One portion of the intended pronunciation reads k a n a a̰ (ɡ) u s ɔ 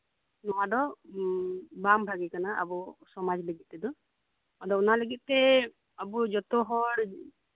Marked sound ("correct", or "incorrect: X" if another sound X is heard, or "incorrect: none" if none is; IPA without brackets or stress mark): incorrect: b